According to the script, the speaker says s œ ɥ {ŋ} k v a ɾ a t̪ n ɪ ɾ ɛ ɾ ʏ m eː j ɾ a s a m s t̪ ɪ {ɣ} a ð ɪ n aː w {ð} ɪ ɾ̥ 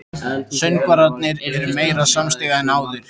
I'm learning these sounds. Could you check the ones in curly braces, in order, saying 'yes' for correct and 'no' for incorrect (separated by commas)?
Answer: no, yes, yes